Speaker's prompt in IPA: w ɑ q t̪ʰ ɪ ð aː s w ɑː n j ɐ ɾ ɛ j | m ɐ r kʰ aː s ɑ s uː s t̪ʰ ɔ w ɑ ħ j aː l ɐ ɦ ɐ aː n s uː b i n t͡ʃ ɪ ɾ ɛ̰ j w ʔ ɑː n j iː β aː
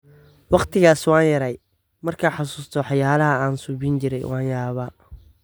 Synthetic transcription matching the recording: w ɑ q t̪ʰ ɪ ɣ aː s w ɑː n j ɐ ɾ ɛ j | m ɐ r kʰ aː ħ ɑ s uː s t̪ʰ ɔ w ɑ ħ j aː l ɐ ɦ ɐ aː n s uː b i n t͡ʃ ɪ ɾ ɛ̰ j w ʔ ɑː n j aː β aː